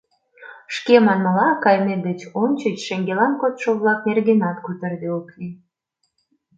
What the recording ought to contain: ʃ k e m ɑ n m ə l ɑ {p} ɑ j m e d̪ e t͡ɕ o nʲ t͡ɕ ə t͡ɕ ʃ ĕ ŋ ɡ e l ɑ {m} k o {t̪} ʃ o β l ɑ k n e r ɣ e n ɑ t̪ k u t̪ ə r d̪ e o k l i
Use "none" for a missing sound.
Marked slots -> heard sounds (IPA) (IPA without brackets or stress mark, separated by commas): k, n, t̪